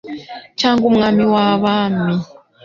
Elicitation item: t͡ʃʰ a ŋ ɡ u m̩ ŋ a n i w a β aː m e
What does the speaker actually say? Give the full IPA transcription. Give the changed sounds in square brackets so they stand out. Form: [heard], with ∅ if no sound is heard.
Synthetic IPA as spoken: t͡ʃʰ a ŋ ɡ u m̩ ŋ a [m] i w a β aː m [i]